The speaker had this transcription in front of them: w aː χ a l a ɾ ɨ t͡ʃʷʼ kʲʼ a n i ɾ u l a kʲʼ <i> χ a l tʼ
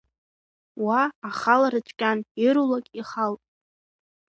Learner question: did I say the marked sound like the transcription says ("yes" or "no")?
yes